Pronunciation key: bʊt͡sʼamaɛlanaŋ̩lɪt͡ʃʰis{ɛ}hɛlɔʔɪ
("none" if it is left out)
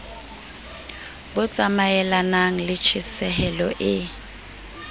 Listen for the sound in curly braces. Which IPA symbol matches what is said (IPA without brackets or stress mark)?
ɛ